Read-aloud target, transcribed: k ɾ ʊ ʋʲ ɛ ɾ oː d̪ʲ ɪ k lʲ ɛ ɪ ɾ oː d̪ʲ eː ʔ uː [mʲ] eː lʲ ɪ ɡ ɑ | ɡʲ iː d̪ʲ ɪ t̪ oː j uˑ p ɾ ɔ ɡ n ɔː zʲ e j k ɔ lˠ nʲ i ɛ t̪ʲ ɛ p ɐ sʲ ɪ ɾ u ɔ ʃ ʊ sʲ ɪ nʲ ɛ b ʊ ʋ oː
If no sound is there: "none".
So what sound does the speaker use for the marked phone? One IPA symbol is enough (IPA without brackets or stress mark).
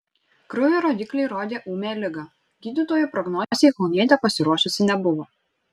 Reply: mʲ